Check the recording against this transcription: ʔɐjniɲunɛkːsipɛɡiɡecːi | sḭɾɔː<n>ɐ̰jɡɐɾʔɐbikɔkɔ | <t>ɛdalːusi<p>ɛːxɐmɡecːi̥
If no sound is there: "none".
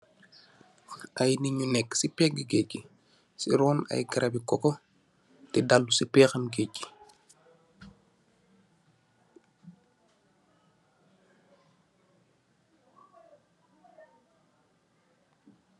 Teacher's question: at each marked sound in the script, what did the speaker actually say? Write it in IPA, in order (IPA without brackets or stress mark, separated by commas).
n, t, p